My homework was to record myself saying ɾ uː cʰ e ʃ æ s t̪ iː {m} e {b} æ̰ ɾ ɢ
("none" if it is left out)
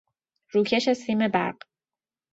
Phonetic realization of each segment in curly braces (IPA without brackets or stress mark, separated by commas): m, b